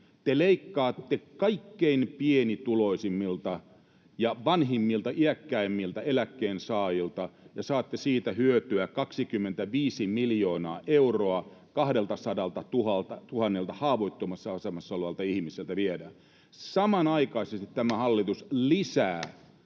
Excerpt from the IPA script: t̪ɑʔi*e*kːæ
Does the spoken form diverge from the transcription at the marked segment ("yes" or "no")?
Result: yes